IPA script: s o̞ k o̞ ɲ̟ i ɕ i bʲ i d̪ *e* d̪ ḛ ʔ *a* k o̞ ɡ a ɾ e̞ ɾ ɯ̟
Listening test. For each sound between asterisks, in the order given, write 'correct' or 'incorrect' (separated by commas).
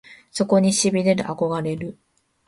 correct, correct